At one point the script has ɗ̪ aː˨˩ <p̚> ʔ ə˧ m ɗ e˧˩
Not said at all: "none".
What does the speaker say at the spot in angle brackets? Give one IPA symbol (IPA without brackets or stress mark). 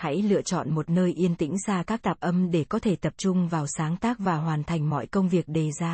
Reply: p̚